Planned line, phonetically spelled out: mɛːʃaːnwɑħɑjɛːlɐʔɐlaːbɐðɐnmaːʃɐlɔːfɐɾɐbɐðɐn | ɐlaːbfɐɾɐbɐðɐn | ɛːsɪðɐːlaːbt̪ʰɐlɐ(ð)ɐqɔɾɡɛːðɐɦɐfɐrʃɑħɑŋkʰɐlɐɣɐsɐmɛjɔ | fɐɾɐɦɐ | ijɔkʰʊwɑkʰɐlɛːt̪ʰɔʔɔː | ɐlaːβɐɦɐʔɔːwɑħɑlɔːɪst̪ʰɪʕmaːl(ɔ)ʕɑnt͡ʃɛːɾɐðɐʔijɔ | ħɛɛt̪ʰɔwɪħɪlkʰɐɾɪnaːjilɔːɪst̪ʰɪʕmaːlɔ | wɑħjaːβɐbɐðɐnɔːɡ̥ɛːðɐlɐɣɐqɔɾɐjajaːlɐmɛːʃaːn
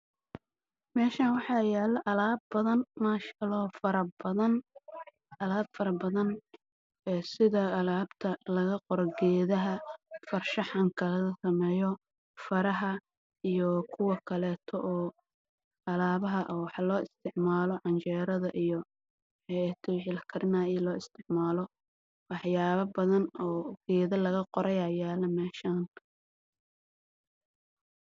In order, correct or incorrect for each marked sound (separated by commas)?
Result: incorrect, correct